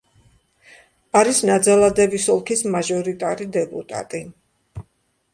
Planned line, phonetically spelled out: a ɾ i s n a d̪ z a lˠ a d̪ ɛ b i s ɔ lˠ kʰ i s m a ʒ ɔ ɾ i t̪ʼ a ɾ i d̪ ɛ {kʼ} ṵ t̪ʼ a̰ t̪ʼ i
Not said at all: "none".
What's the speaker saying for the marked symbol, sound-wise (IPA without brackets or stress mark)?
pʼ